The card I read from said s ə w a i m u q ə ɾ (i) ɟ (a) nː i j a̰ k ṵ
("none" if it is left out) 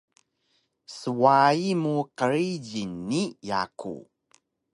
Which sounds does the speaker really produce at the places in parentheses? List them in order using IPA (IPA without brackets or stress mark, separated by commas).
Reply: i, i